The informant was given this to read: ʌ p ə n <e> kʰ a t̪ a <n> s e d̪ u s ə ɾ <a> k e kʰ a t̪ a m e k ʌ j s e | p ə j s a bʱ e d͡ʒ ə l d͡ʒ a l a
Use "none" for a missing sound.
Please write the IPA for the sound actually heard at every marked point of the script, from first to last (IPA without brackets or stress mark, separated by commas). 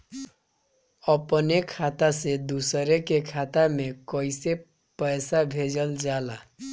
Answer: e, none, e